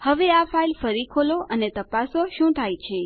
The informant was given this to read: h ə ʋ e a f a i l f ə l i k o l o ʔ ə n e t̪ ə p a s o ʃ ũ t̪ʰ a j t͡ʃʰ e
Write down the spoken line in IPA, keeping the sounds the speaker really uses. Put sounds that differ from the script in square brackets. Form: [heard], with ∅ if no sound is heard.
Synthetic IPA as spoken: h ə ʋ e a f a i l f ə [ɾ] i [kʰ] o l o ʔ ə n e t̪ ə p a s o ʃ ũ t̪ʰ a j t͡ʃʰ e